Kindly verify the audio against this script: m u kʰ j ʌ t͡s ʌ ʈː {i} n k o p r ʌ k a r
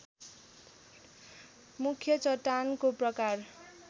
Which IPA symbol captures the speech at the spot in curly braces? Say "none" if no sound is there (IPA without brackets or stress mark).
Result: a